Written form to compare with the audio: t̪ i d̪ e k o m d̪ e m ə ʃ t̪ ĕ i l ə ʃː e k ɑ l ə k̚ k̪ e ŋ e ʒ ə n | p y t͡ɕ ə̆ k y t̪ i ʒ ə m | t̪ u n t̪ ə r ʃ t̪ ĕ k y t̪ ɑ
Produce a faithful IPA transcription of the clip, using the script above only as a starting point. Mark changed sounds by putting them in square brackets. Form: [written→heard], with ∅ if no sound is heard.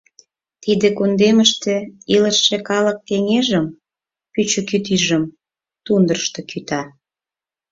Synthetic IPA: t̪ i d̪ e k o [m→n] d̪ e m ə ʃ t̪ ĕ i l ə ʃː e k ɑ l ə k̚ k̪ e ŋ e ʒ ə [n→m] | p y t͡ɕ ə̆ k y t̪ i ʒ ə m | t̪ u n [t̪→d̪] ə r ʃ t̪ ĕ k y t̪ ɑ